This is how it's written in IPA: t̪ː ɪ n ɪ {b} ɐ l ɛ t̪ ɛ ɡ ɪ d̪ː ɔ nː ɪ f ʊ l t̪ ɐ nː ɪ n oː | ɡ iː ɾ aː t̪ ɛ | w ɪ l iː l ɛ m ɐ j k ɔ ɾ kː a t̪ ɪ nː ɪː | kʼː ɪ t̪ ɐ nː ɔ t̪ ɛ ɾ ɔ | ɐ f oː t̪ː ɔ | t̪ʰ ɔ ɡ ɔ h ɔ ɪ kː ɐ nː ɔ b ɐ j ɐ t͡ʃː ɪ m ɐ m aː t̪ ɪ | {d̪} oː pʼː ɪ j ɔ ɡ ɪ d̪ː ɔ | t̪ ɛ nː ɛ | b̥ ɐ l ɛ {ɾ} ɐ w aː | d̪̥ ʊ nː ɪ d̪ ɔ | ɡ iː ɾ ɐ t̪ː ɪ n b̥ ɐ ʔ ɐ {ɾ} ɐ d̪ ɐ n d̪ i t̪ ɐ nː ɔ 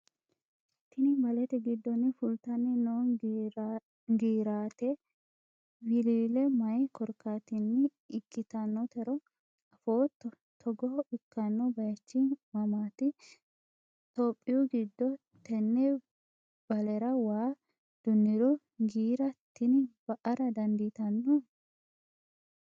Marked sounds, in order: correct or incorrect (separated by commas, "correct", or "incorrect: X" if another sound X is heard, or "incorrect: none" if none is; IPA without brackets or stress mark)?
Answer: correct, incorrect: t̪, correct, correct